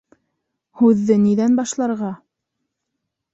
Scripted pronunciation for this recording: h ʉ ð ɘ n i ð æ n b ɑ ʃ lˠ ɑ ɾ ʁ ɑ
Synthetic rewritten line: h ʉ ðː ɘ n i ð æ n b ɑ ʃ lˠ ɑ ɾ ʁ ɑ

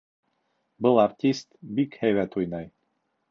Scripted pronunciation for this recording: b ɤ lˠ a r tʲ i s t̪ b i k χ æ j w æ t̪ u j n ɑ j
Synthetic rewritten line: b ɤ lˠ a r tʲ i s t̪ b i k h æ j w æ t̪ u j n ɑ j

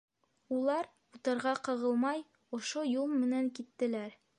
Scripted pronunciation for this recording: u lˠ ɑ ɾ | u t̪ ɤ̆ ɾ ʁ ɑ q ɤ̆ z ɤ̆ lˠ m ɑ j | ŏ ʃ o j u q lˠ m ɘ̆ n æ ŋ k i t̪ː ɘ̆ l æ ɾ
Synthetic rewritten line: u lˠ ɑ ɾ | u t̪ ɤ̆ ɾ ʁ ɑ q ɤ̆ ʁ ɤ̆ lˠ m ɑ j | ŏ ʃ o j u lˠ m ɘ̆ n æ ŋ k i t̪ː ɘ̆ l æ ɾ

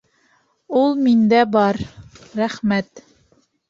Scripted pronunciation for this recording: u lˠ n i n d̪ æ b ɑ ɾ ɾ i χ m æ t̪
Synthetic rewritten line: u lˠ m i n d̪ æ b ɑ ɾ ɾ æ χ m æ t̪

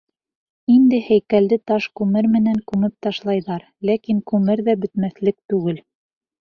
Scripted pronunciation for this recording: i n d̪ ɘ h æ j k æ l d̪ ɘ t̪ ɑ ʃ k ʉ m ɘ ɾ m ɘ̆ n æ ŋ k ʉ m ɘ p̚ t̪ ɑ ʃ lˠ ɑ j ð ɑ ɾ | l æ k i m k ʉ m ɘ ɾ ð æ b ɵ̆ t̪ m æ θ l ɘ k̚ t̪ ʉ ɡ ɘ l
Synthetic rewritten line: i n d̪ ɘ h æ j k æ l d̪ ɘ t̪ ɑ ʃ k ʉ m ɘ ɾ m ɘ̆ n æ ŋ k ʉ m ɘ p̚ t̪ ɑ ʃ lˠ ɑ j ð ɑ ɾ | l æ k i ŋ k ʉ m ɘ ɾ ð æ b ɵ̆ t̪ m æ θ l ɘ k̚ t̪ ʉ ɡ ɘ l

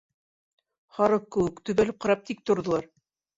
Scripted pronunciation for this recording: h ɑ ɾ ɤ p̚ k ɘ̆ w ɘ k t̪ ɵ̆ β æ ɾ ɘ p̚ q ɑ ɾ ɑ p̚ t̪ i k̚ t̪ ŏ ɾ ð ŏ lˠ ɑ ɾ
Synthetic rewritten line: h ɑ ɾ ɤ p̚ k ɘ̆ w ɘ k t̪ ɵ̆ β æ l ɘ p̚ q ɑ ɾ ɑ p̚ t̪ i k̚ t̪ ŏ ɾ ð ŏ lˠ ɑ ɾ

